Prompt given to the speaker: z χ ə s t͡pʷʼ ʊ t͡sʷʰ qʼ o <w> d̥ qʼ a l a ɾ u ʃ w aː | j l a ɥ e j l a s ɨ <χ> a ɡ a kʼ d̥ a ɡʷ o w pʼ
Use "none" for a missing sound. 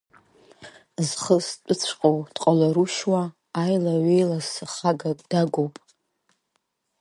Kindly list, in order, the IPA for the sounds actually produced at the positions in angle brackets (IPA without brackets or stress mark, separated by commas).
w, χ